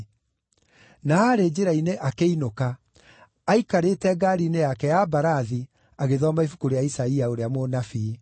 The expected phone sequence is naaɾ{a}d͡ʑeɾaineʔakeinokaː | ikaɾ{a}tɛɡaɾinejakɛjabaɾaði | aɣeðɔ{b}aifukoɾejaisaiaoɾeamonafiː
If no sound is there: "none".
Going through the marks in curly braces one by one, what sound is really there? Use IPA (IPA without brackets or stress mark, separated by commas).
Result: e, e, m